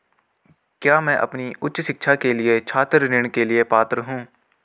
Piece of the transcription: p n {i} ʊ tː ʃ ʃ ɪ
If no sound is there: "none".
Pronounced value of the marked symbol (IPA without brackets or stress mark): i